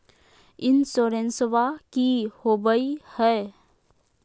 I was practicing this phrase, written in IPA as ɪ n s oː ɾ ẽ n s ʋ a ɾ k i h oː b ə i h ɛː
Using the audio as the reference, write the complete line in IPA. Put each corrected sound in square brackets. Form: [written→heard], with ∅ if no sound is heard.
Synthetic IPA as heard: ɪ n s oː ɾ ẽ n s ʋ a [ɾ→∅] k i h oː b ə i h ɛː